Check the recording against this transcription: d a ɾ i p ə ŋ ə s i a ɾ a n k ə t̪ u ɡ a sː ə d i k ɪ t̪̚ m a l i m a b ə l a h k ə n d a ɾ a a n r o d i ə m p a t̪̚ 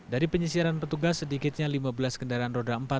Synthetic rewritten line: d a ɾ i p ə ɲ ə s i a ɾ a n p ə t̪ u ɡ a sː ə d i k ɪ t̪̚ ɲ a l i m a b ə l a s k ə n d a ɾ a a n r o d a ə m p a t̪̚